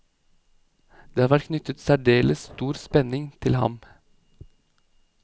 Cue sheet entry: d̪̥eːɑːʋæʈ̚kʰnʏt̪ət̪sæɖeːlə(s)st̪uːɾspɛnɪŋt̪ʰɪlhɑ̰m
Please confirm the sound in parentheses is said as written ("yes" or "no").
yes